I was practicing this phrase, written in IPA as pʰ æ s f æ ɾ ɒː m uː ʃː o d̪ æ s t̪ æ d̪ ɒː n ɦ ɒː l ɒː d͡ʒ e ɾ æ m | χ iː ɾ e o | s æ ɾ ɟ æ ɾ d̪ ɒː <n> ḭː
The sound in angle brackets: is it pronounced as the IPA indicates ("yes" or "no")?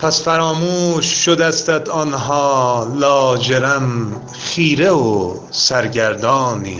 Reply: yes